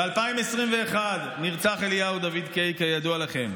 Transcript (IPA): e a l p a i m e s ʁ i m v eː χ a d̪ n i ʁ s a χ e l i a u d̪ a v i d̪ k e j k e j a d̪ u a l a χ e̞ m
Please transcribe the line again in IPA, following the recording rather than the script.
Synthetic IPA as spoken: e a l p a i m e s ʁ i m v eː χ a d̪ n i ʁ t͡s a χ e l j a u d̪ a v i d̪ k e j k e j a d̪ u a l a χ e̞ m